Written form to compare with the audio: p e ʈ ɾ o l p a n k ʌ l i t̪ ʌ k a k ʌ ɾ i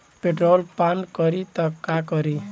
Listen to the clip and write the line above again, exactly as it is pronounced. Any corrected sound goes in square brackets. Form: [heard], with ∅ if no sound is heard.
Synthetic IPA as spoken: p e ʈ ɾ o l p a n k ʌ [ɾ] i t̪ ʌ k a k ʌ ɾ i

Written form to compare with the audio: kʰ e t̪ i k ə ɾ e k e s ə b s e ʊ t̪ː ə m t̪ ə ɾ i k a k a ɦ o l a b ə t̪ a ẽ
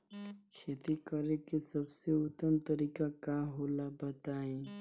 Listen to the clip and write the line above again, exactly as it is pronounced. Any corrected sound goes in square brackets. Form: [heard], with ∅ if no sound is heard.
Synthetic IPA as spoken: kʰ e t̪ i k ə ɾ e k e s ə b s e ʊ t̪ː ə m t̪ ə ɾ i k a k a ɦ o l a b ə t̪ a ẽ

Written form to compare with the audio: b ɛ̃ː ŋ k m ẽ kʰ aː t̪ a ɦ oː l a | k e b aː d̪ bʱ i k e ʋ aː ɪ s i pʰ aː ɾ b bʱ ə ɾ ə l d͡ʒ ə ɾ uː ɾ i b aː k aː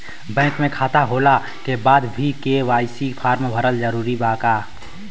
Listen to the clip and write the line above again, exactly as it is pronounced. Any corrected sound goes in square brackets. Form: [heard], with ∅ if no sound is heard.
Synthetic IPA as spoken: b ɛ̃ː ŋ k m ẽ kʰ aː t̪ a ɦ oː l a | k e b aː d̪ bʱ i k e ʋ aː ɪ s i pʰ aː ɾ [m] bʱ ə ɾ ə l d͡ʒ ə ɾ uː ɾ i b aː k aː

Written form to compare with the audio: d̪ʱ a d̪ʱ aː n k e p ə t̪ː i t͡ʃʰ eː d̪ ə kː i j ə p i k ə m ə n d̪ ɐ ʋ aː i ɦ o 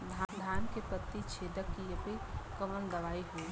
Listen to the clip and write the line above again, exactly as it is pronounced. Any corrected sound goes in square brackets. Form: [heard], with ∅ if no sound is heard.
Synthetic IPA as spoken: d̪ʱ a d̪ʱ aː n k e p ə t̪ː i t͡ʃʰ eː d̪ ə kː i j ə p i k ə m ə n d̪ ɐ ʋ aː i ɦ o

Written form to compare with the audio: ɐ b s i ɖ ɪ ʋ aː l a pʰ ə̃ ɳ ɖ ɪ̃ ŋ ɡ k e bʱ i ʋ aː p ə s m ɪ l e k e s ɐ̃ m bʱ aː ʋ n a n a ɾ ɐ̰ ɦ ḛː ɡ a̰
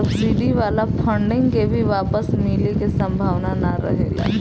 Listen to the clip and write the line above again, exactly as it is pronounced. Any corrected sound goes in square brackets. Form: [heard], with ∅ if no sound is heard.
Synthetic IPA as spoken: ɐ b s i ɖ [i] ʋ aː l a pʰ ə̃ ɳ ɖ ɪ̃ ŋ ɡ k e bʱ i ʋ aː p ə s m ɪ l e k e s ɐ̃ m bʱ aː ʋ n a n a ɾ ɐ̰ ɦ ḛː ɡ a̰

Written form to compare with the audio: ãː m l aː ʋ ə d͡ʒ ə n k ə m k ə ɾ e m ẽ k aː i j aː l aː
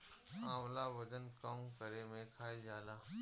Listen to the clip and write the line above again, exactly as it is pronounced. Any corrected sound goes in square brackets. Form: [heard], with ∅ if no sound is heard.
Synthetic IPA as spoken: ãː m l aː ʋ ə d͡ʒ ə n k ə m k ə ɾ e m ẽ [kʰ] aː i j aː l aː

